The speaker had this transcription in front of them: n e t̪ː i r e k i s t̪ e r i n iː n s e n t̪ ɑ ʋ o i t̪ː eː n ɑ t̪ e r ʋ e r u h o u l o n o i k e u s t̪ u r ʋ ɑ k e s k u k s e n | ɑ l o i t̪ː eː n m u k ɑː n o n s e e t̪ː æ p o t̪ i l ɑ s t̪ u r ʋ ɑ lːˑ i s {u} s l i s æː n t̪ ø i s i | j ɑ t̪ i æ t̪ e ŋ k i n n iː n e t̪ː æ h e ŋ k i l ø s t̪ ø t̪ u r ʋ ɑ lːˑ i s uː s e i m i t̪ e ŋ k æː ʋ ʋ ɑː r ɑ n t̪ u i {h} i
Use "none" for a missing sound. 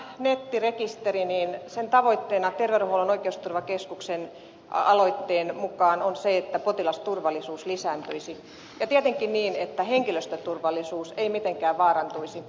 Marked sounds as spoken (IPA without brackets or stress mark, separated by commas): uː, s